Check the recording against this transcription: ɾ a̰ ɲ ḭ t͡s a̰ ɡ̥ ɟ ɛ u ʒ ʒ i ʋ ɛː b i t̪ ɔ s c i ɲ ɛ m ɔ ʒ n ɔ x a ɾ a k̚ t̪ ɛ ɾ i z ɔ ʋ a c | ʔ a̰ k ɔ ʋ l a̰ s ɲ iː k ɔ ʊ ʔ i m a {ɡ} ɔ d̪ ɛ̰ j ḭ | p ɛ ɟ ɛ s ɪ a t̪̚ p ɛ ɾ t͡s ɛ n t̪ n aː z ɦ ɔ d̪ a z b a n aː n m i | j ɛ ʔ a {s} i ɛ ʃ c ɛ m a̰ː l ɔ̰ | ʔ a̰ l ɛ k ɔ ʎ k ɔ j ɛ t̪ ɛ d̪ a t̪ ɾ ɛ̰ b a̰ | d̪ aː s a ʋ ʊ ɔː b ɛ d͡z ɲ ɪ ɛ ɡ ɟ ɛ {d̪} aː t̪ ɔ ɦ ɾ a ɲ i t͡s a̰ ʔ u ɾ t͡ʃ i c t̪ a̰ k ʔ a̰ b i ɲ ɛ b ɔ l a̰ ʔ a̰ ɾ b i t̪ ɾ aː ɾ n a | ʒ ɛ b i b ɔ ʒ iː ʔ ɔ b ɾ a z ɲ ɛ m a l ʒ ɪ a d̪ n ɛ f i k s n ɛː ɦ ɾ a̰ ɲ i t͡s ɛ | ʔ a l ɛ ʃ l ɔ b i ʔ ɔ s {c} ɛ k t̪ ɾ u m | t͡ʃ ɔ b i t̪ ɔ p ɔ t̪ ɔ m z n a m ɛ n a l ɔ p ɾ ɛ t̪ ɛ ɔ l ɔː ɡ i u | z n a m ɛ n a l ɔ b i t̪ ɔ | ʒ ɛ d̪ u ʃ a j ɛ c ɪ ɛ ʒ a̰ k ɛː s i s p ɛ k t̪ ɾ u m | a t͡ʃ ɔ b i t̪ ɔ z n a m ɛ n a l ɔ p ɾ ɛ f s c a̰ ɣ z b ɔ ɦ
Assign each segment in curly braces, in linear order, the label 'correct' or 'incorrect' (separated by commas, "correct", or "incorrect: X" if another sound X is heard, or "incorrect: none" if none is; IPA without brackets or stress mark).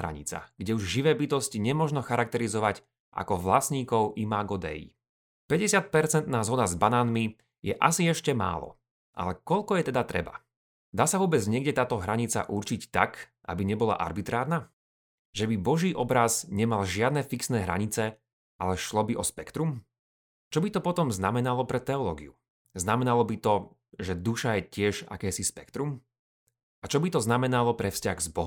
correct, correct, incorrect: t̪, incorrect: p